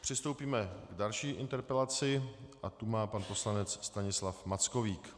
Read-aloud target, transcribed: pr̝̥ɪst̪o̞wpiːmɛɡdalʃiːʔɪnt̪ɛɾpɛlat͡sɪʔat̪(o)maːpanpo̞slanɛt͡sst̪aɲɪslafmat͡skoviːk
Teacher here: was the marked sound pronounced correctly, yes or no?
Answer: no